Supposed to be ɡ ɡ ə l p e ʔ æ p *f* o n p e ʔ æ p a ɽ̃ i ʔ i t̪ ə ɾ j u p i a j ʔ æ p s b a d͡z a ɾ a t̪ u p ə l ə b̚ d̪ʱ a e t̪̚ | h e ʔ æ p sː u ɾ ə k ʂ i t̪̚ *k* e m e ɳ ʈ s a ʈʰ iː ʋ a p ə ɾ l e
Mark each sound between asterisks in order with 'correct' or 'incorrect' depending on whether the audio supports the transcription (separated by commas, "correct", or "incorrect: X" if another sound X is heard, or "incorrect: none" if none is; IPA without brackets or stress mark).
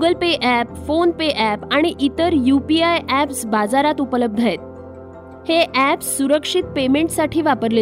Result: correct, incorrect: p